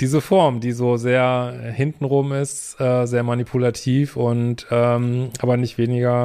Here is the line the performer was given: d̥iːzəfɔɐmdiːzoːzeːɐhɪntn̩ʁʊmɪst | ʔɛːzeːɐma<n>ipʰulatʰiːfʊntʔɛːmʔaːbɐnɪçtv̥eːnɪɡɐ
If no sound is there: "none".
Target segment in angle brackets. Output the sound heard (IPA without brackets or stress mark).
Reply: n